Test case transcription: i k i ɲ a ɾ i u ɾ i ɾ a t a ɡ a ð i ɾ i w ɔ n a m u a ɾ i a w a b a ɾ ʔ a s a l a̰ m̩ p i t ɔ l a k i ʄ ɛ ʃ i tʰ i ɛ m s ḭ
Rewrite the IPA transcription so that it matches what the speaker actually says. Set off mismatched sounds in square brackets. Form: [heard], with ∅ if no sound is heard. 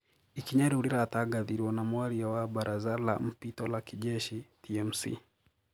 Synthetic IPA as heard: i k i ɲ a ɾ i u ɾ i ɾ a t a ɡ a ð i ɾ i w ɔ n a m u a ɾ i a w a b a ɾ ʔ a [z] a l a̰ m̩ p i t ɔ l a k i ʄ ɛ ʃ i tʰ i ɛ m s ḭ